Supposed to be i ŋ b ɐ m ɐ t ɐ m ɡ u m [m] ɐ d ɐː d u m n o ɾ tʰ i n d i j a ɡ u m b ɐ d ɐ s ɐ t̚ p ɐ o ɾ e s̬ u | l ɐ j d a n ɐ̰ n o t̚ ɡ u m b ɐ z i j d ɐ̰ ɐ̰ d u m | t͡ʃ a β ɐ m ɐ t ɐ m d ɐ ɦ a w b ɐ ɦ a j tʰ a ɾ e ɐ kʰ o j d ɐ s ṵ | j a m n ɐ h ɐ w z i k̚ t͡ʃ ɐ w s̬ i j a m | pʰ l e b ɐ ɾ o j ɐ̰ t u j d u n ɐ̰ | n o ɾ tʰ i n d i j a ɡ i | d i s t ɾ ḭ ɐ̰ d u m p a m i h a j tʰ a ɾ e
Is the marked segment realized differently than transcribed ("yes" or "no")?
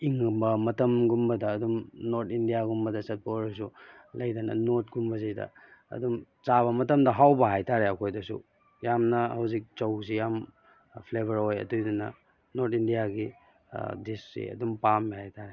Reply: yes